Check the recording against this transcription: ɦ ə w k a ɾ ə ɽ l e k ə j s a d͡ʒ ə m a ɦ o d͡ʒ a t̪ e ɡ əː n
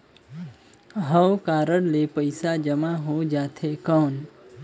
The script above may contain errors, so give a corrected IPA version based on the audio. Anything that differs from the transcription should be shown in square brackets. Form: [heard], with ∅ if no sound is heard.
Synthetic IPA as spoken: ɦ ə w k a ɾ ə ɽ l e [p] ə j s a d͡ʒ ə m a ɦ o d͡ʒ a [t̪ʰ] e [k] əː n